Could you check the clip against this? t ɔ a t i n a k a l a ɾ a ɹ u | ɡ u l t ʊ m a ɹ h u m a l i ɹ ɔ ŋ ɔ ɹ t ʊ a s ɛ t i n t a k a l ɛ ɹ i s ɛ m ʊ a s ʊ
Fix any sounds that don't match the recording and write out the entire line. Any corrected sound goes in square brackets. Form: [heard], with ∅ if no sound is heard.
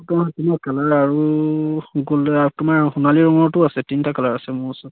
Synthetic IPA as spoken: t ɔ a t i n a k a l a [ɹ] a ɹ u | ɡ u l t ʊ m a ɹ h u [n] a l i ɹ ɔ ŋ ɔ ɹ t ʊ a s ɛ t i n t a k a l [a] ɹ [a] s ɛ m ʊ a s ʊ

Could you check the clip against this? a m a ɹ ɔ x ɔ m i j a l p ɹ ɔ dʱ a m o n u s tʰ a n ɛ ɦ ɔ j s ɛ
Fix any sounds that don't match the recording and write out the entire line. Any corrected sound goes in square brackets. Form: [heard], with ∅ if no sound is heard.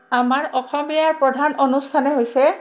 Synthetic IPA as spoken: a m a ɹ ɔ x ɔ m i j a [ɹ] p ɹ ɔ dʱ a [n] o n u s tʰ a n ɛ ɦ [o] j s ɛ

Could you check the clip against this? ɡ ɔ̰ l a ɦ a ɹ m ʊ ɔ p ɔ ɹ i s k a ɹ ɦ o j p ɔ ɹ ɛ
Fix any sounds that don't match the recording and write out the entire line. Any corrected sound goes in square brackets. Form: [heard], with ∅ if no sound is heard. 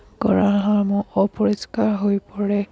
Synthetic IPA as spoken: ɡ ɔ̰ [ɹ] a ɦ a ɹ m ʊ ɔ p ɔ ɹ i s k a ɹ ɦ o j p ɔ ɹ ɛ

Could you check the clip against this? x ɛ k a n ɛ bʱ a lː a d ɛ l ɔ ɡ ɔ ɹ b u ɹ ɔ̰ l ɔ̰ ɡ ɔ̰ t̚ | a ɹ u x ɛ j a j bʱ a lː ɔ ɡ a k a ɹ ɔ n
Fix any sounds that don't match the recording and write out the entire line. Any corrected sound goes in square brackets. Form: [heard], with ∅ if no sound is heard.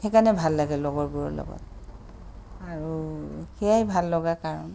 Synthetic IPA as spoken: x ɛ k a n ɛ bʱ a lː a [ɡ] ɛ l ɔ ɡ ɔ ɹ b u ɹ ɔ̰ l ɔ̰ ɡ ɔ̰ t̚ | a ɹ u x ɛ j a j bʱ a lː ɔ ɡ a k a ɹ ɔ n

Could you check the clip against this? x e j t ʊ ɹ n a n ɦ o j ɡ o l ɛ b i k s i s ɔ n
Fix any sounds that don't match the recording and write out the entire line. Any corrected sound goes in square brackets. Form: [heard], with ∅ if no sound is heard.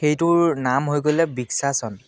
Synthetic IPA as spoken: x e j t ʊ ɹ n a [m] ɦ o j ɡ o l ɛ b i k s [a] s ɔ n

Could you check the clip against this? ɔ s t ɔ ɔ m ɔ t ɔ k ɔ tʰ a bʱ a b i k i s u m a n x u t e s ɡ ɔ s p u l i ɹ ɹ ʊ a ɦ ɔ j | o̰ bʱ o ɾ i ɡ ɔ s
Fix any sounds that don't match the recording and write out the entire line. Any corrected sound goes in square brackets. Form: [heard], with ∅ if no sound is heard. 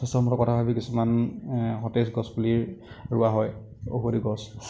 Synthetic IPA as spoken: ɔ s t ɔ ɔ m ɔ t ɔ k ɔ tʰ a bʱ a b i k i s u m a n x [ɔ] t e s ɡ ɔ s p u l i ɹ ɹ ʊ a ɦ ɔ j | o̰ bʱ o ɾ i ɡ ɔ s

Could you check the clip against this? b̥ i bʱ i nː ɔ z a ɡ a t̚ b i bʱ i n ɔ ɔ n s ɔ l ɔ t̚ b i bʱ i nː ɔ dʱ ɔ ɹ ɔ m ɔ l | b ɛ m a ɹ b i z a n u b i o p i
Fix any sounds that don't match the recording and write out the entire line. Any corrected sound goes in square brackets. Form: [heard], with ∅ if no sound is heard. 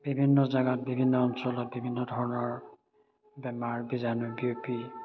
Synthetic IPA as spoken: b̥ i bʱ i nː ɔ z a ɡ a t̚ b i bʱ i [nː] ɔ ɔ n s ɔ l ɔ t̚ b i bʱ i nː ɔ dʱ ɔ ɹ ɔ [n] ɔ [ɹ] | b ɛ m a ɹ b i z a n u b i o p i

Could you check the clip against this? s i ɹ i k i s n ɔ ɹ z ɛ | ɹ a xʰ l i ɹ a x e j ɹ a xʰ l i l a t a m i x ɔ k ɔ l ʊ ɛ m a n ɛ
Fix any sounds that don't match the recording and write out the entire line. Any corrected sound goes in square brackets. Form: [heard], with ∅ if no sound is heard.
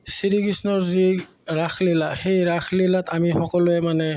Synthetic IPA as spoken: s i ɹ i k i s n ɔ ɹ z [i] | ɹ a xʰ l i [l] a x e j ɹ a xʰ l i l a t a m i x ɔ k ɔ l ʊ ɛ m a n ɛ

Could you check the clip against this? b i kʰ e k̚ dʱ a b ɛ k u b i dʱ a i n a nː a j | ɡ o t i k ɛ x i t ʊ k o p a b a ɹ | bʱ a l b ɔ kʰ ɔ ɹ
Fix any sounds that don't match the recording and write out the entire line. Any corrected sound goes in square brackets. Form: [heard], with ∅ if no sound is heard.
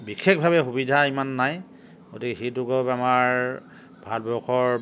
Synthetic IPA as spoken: b i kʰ e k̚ [bʱ] a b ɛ [x] u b i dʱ a i [m] a nː a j | ɡ o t i k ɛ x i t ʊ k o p a [m] a ɹ | bʱ a l b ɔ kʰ ɔ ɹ

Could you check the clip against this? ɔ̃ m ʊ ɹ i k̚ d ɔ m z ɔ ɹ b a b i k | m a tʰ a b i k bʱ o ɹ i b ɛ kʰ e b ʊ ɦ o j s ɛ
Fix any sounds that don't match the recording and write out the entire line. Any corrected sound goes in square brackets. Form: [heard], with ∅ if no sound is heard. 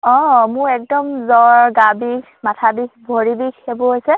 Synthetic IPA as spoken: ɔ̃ m ʊ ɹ [ɛ] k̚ d ɔ m z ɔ ɹ [ɡ] a b i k | m a tʰ a b i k bʱ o ɹ i b [i] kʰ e b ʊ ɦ o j s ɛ

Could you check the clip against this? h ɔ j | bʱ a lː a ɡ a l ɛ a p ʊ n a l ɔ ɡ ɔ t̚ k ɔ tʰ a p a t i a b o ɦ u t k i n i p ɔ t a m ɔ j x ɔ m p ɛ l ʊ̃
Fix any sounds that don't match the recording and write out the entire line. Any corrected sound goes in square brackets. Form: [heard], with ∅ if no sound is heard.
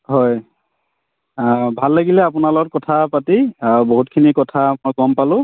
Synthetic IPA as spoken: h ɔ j | bʱ a lː a ɡ [i] l ɛ a p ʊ n a l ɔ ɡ ɔ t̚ k ɔ tʰ a p a t i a b o ɦ u t [kʰ] i n i [k] ɔ [tʰ] a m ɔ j [k] ɔ m p [a] l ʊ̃

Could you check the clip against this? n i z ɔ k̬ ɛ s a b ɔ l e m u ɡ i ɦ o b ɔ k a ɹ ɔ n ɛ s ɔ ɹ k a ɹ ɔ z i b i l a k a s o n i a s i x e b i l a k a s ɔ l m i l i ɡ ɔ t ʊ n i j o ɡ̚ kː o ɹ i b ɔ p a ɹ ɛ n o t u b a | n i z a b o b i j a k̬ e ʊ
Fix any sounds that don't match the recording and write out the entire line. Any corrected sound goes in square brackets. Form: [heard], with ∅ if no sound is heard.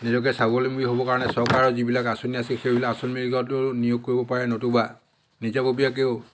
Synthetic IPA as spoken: n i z ɔ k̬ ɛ s a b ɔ l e m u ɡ i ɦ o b ɔ k a ɹ ɔ n ɛ s ɔ ɹ k a ɹ ɔ z i b i l a k a s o n i a s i x e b i l a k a s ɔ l m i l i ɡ ɔ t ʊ n i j o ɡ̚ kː o ɹ i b ɔ p a ɹ ɛ n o t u b a | n i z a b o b i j a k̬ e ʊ

